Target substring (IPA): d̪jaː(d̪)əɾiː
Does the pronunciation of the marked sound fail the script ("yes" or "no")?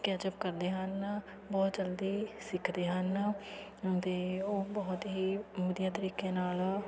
yes